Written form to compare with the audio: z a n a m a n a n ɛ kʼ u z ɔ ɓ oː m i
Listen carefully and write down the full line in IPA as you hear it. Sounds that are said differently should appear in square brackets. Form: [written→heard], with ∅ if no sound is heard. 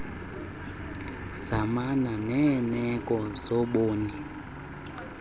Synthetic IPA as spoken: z a [n→m] a [m→n] a n [a→ɛ] n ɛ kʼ [u→ɔ] z ɔ ɓ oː [m→n] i